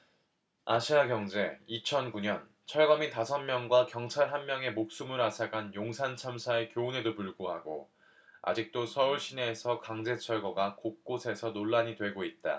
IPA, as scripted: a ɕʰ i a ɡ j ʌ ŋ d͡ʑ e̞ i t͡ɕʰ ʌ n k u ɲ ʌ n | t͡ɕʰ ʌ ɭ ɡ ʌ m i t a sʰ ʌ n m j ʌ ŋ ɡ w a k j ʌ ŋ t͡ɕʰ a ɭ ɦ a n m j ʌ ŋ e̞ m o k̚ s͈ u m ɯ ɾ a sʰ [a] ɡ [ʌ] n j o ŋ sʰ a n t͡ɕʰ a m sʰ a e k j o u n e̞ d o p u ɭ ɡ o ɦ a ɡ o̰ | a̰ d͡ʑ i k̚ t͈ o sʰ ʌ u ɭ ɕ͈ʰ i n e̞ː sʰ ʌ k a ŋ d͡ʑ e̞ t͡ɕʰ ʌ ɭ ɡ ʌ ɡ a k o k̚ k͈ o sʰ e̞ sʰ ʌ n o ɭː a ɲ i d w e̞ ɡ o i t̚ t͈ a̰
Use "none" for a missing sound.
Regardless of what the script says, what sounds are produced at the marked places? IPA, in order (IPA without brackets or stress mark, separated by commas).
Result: a, a